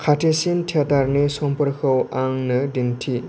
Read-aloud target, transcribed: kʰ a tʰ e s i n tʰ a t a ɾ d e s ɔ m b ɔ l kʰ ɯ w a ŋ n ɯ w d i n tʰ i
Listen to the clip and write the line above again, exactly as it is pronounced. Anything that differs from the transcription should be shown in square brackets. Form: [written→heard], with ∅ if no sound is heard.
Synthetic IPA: kʰ a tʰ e s i n tʰ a t a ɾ [d→n] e s ɔ m [b→p] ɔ [l→ɾ] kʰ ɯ w a ŋ n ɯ [w→∅] d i n tʰ i